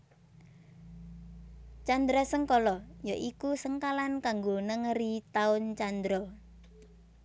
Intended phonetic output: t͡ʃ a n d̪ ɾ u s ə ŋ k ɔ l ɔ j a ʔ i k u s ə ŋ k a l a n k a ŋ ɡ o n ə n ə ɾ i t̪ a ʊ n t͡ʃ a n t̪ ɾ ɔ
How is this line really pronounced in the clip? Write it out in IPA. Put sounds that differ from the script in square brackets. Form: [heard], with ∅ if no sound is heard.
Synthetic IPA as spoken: t͡ʃ a n d̪ ɾ [ɔ] s ə ŋ k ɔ l ɔ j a ʔ i k u s ə ŋ k a l a n k a ŋ ɡ o n ə [ŋ] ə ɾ i t̪ a ʊ n t͡ʃ a n [d̪] ɾ ɔ